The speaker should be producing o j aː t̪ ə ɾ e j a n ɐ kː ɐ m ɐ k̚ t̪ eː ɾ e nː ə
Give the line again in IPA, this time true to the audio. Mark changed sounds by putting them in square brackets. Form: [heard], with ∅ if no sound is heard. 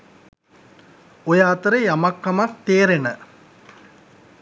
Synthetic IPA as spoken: o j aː t̪ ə ɾ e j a [m] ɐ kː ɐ m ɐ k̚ t̪ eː ɾ e [n] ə